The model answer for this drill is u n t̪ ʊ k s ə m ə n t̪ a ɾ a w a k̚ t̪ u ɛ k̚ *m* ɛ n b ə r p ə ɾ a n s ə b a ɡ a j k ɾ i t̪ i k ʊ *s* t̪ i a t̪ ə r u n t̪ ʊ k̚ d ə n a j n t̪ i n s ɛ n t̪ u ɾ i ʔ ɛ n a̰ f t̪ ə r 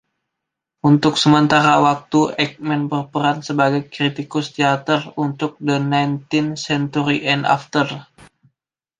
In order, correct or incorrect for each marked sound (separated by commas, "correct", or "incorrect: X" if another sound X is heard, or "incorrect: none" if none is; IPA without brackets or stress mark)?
correct, correct